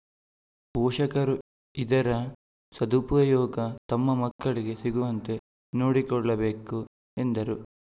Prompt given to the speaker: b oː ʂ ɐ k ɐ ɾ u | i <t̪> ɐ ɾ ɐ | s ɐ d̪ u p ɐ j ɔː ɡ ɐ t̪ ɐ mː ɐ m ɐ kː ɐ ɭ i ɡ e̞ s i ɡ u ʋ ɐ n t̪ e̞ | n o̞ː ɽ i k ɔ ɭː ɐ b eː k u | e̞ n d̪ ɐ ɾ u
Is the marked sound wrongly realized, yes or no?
yes